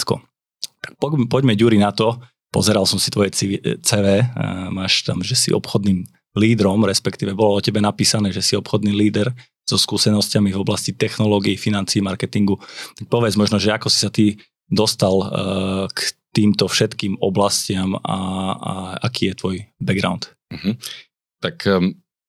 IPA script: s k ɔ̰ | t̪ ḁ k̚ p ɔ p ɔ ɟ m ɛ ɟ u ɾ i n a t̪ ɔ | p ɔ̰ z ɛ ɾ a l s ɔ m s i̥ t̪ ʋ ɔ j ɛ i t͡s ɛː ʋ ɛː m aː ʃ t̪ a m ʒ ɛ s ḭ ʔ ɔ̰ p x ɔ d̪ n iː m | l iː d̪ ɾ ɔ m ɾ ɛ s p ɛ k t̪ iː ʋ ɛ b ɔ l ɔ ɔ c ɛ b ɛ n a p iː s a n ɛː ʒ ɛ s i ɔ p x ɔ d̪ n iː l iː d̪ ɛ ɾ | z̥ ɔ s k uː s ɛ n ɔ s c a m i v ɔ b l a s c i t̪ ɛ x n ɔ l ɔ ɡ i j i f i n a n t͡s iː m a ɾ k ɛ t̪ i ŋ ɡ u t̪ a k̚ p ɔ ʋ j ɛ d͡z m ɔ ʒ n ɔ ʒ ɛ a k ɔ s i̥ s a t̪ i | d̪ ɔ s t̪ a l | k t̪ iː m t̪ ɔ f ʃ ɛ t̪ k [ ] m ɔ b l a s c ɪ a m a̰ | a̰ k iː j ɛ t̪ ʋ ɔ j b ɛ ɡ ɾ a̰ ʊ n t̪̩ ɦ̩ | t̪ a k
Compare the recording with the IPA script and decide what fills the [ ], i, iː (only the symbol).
iː